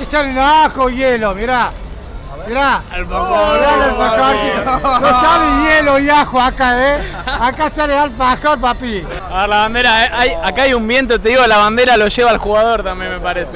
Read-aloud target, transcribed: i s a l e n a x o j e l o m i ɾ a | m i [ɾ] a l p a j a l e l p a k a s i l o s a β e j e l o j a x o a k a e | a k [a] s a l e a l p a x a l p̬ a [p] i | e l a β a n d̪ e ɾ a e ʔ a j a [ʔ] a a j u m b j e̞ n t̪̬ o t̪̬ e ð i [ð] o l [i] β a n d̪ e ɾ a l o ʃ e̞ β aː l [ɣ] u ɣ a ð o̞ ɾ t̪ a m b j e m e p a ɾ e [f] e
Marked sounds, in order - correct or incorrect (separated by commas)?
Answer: correct, correct, correct, incorrect, incorrect, incorrect, incorrect, incorrect